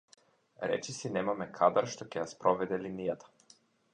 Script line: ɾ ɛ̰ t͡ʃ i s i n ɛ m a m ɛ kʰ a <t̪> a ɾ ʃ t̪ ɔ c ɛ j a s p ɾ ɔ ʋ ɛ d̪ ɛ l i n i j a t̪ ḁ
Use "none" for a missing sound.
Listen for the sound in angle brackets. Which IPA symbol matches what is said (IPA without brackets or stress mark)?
d̪